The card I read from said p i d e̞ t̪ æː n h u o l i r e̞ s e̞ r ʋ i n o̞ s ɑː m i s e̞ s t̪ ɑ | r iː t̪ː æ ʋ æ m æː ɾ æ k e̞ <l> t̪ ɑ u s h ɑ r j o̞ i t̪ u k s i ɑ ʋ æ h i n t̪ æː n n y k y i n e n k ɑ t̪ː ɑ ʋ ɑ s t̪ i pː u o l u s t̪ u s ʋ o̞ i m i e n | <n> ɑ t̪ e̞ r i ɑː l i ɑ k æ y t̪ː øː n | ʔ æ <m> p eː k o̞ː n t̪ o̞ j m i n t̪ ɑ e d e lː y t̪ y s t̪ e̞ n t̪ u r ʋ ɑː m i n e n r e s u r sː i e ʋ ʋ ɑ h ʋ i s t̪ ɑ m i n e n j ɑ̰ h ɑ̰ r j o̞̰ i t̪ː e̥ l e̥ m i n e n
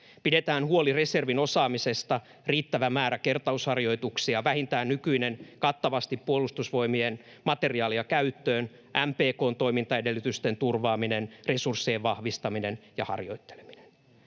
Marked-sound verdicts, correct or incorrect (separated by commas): incorrect, incorrect, correct